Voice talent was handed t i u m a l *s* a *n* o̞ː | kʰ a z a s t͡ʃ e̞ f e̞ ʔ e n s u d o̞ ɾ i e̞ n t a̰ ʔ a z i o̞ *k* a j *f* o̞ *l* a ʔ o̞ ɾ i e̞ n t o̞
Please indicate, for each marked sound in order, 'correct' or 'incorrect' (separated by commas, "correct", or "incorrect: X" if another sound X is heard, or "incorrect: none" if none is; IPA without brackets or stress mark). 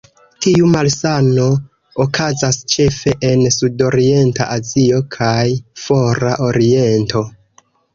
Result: correct, correct, incorrect: kʰ, correct, incorrect: ɾ